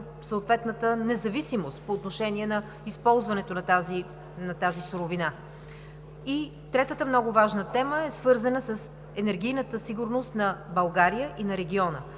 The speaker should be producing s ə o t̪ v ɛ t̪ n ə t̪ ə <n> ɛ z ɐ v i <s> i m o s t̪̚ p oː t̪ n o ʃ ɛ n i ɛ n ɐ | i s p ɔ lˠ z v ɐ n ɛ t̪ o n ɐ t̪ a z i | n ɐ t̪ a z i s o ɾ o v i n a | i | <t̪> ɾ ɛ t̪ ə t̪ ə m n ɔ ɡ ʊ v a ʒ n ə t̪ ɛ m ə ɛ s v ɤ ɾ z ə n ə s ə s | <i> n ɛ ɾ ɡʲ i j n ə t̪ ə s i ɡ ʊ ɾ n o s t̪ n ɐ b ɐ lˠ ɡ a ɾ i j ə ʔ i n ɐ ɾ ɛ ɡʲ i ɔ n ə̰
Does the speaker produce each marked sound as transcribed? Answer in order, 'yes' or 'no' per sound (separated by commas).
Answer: yes, yes, yes, no